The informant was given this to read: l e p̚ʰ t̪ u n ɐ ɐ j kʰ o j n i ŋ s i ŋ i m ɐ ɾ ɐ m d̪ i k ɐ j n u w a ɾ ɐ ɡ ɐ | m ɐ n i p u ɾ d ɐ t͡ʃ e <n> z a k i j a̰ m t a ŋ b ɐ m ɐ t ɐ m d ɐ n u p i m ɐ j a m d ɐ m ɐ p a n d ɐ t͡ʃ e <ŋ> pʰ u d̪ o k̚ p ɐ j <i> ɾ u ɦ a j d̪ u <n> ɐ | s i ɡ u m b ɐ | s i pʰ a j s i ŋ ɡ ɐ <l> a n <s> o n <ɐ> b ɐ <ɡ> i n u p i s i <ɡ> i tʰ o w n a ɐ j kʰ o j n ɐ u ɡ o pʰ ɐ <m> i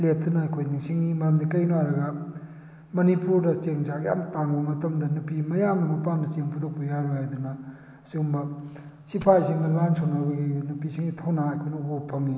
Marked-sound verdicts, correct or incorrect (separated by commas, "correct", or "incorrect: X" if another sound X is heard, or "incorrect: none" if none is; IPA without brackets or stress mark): incorrect: ŋ, correct, incorrect: a, correct, correct, correct, incorrect: a, correct, incorrect: ŋ, incorrect: ŋ